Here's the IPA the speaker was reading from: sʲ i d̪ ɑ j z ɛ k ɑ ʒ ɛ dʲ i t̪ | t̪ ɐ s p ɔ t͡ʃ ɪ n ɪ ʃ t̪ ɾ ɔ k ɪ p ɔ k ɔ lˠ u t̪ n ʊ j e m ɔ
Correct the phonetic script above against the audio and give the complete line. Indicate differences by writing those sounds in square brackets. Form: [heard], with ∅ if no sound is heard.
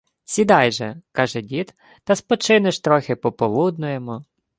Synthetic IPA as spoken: sʲ i d̪ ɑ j [ʒ] ɛ k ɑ ʒ ɛ dʲ i t̪ | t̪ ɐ s p ɔ t͡ʃ ɪ n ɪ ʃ t̪ ɾ ɔ [x] ɪ p ɔ [p] ɔ lˠ u [d̪] n ʊ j e m ɔ